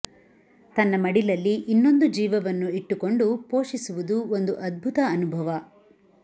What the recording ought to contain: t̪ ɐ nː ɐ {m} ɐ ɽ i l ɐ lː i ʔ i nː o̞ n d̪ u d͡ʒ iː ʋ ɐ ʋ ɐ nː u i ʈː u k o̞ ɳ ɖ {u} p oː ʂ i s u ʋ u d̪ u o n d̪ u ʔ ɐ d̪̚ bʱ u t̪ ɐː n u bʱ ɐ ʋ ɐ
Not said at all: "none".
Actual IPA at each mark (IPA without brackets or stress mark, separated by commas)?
m, u